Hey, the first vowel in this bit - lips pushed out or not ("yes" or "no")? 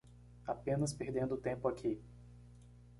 no